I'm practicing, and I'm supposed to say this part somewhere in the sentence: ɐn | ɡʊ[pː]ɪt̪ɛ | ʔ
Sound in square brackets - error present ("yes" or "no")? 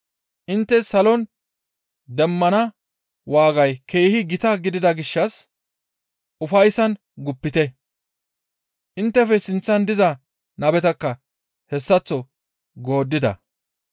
no